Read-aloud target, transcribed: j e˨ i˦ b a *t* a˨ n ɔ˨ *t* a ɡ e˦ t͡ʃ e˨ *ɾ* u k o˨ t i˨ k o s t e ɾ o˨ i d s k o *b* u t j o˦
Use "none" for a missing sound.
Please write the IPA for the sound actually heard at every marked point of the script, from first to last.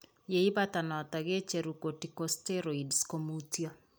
t, t, ɾ, m

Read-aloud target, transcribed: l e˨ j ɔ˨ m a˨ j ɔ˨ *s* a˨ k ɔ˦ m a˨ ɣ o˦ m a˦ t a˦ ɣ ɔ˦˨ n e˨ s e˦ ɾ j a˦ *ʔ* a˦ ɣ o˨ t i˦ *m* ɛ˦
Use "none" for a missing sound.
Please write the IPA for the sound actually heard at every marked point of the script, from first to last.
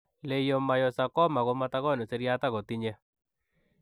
s, t, ɲ

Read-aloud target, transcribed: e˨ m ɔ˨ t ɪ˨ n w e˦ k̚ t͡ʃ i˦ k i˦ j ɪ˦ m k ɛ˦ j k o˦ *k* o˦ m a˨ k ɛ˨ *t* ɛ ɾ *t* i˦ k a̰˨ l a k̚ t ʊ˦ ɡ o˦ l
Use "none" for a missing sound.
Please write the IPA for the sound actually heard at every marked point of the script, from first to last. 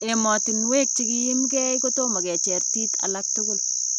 t, t͡ʃ, t

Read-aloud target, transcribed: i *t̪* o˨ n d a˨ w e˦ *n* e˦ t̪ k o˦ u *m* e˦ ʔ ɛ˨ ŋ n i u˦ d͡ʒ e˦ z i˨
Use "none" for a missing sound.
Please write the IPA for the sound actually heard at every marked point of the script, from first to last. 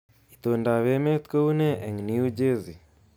t̪, m, n

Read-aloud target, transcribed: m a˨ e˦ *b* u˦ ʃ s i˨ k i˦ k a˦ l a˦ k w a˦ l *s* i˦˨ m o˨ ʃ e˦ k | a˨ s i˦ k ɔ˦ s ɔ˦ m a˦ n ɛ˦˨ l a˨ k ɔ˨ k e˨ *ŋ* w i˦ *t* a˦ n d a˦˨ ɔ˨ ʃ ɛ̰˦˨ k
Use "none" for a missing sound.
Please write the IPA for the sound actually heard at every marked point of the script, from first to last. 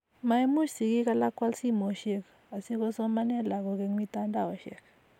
m, s, ŋ, t

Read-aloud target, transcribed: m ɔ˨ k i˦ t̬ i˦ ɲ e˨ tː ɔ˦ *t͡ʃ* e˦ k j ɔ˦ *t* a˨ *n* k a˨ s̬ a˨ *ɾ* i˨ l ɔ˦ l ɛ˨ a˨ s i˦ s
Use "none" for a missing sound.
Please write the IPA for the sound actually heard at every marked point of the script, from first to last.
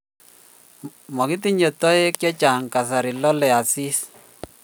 none, t͡ʃ, ŋ, ɾ

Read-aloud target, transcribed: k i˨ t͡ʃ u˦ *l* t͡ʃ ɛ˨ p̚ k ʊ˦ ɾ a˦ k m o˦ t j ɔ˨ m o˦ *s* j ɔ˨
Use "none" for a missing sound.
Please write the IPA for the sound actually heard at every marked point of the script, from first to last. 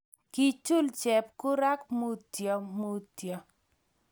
l, t

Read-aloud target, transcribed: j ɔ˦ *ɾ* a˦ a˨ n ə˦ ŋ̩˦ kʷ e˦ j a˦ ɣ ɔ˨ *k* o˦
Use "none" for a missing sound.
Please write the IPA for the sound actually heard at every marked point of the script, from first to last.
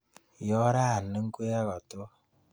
ɾ, t

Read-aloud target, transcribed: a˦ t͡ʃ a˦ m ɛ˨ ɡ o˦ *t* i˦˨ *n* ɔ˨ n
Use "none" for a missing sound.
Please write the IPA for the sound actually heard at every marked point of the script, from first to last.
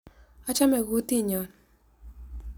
t, ɲ

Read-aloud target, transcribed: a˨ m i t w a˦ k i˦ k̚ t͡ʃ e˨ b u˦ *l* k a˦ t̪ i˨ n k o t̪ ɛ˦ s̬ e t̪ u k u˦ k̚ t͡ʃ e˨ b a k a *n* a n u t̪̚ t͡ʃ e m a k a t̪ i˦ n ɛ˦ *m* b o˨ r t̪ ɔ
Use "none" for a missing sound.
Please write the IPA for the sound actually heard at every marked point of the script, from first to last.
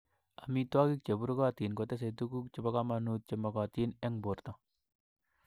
ɾ, m, ŋ

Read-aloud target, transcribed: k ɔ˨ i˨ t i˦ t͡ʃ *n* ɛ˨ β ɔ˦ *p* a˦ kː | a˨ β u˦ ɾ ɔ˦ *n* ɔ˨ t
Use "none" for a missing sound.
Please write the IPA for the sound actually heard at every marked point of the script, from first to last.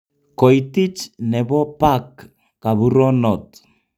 n, p, n

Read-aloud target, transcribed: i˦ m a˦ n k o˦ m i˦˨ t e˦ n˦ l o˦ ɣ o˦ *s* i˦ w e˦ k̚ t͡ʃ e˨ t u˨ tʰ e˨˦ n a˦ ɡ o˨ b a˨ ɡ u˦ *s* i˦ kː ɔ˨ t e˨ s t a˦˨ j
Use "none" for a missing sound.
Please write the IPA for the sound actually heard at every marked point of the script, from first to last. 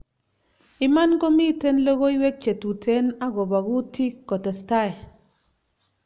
none, t

